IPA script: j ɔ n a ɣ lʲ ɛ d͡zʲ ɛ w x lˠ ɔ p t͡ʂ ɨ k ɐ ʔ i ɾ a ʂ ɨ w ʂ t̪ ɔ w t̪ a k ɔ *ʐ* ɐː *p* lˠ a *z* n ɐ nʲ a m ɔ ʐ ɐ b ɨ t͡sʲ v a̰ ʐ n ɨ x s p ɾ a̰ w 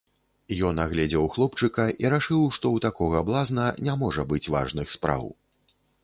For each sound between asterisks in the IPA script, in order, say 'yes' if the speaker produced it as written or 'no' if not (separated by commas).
no, no, yes